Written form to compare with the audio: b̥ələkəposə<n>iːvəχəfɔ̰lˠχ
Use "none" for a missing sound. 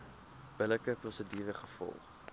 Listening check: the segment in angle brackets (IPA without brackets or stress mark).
d